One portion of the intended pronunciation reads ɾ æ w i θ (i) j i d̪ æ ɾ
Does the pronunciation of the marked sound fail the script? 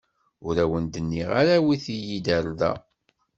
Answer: no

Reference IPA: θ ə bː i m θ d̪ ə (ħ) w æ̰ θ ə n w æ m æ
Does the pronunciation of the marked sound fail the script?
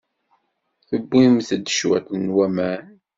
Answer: yes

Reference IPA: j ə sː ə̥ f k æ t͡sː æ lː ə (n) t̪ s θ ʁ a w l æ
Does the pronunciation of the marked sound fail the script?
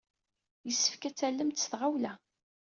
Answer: yes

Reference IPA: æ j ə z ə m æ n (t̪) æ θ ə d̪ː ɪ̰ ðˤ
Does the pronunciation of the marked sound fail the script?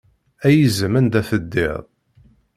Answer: yes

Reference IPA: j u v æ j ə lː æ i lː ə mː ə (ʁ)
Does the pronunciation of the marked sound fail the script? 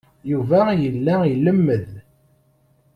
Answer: yes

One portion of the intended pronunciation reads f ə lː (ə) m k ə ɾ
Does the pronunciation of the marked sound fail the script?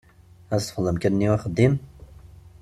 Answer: no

